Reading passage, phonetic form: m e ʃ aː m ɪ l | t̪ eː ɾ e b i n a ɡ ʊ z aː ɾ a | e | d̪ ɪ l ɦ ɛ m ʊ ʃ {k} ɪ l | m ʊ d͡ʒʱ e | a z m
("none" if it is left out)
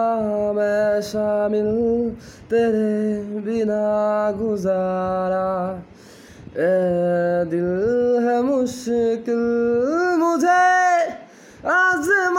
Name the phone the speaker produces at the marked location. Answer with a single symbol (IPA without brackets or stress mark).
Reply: k